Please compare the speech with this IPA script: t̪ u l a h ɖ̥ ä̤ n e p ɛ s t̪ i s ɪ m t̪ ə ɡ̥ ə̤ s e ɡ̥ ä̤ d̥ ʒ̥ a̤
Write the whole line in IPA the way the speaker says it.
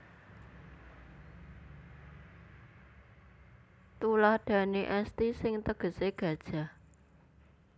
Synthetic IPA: t̪ u l a h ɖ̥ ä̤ n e ʔ ɛ s t̪ i s ɪ ŋ t̪ ə ɡ̥ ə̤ s e ɡ̥ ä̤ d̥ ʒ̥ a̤